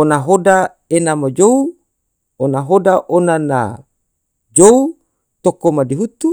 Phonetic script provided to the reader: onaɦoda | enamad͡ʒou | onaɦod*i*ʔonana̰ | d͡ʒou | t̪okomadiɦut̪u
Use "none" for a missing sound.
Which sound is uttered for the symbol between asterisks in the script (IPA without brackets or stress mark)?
a